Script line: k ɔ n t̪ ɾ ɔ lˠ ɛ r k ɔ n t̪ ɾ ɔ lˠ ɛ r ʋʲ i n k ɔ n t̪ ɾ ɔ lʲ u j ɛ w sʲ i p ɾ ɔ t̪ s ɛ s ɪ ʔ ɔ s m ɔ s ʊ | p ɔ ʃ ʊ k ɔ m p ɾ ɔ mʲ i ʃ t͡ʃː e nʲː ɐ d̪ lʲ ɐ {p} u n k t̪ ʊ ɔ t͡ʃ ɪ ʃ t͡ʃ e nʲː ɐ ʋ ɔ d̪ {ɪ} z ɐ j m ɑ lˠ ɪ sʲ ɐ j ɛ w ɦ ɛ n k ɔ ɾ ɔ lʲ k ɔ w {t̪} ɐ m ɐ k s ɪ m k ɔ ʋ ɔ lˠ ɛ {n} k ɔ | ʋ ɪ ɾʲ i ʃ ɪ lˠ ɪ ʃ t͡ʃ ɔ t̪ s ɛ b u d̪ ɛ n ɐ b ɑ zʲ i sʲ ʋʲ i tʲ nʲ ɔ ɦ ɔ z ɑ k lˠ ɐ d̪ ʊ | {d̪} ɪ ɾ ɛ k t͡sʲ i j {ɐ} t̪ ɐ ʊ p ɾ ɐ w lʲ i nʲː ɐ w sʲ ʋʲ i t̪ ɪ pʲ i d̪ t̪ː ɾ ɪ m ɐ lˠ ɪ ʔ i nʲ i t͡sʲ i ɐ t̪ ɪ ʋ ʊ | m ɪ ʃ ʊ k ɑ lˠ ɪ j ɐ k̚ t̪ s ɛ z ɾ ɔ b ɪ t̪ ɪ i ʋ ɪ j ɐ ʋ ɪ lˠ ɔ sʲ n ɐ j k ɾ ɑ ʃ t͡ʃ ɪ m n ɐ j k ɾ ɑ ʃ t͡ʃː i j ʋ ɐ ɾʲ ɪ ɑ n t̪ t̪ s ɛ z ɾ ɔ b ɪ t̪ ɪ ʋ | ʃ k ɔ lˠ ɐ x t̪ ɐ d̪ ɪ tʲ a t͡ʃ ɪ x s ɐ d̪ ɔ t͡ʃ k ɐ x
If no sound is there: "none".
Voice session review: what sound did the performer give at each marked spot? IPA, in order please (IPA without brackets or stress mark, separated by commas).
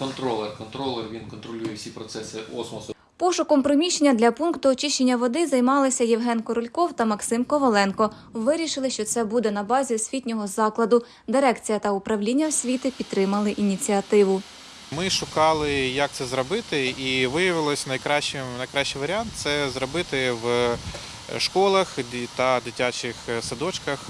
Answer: p, ɪ, t̪, n, d̪, ɐ